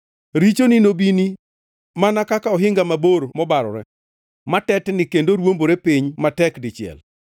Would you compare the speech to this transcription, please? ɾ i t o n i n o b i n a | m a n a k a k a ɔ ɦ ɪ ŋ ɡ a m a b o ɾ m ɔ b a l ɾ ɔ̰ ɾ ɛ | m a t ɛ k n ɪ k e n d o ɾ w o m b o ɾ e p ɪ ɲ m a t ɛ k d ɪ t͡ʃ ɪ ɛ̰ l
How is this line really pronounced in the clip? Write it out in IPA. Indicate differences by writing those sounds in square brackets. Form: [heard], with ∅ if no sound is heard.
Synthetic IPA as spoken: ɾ i [t͡ʃ] o n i n o b i n [i] | m a n a k a k a ɔ ɦ ɪ ŋ ɡ a m a b o ɾ m ɔ b a [∅] ɾ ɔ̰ ɾ ɛ | m a t ɛ [t] n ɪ k e n d o ɾ w o m b o ɾ e p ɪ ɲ m a t ɛ k d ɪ t͡ʃ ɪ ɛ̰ l